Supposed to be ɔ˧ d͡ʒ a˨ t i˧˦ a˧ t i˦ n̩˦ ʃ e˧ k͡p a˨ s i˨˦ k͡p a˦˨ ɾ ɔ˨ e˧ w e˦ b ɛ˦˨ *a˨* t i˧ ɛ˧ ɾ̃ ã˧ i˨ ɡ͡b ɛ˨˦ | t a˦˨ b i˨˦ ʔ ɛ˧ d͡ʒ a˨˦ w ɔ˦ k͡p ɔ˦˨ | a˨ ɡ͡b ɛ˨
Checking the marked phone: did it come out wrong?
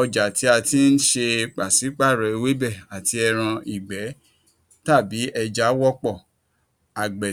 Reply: no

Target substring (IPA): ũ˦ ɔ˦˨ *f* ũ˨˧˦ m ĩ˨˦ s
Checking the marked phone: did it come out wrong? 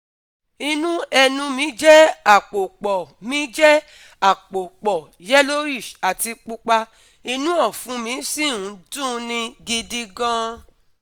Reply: no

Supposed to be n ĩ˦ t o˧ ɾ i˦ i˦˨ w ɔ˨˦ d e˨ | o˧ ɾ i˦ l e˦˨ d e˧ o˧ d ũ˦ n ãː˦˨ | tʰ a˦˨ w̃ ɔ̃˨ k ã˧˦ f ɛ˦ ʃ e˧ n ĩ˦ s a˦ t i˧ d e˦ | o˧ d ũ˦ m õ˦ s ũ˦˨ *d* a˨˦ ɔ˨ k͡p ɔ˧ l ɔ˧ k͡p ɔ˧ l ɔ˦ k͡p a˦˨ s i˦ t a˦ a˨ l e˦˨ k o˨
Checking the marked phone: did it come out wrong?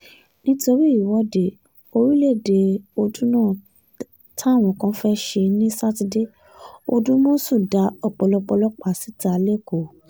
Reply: no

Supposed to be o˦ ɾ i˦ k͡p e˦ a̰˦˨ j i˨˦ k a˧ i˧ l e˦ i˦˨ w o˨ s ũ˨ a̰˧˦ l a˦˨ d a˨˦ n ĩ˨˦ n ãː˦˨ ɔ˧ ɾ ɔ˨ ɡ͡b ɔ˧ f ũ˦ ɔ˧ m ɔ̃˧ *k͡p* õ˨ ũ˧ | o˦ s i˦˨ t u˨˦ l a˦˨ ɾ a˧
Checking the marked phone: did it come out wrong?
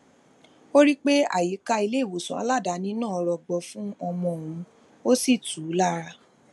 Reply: yes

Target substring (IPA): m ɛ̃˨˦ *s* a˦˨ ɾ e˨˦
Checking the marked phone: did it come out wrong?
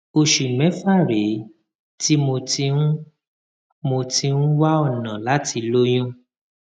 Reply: yes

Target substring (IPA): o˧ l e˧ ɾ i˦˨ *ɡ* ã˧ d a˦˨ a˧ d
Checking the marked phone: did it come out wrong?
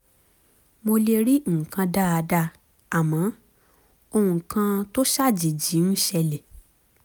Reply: yes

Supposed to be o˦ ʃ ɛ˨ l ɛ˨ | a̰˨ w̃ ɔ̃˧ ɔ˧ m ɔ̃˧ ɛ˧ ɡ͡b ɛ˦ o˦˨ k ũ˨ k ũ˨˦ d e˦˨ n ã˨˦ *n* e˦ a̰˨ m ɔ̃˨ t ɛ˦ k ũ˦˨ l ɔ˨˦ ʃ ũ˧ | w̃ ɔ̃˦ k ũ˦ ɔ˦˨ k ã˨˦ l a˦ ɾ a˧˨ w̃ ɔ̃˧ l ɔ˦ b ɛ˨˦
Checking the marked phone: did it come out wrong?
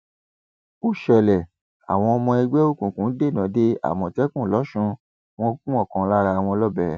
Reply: yes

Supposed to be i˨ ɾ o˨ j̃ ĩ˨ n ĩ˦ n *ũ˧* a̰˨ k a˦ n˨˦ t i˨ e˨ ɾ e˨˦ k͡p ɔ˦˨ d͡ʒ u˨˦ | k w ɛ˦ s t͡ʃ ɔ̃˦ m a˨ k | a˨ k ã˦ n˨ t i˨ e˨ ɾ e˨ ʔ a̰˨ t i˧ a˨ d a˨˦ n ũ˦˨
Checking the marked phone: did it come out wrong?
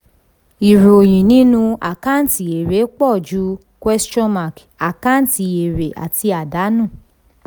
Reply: no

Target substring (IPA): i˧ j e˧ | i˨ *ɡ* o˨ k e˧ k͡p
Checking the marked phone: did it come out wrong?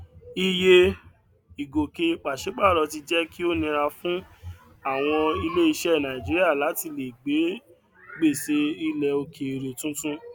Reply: no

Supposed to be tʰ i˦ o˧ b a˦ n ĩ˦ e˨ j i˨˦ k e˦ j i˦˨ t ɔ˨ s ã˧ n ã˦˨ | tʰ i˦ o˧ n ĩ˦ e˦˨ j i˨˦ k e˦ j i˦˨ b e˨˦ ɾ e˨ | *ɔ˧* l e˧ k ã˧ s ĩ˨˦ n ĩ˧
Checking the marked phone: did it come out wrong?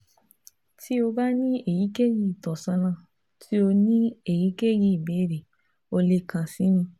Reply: yes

